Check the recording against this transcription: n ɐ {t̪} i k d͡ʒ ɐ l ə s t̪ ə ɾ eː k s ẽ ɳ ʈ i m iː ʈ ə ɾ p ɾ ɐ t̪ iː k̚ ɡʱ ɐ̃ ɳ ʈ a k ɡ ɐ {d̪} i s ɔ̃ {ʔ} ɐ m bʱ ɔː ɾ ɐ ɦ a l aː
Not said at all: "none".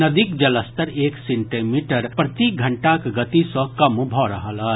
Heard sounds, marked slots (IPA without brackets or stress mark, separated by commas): d̪, t̪, k